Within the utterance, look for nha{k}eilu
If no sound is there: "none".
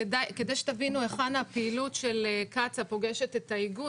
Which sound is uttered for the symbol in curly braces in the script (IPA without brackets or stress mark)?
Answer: p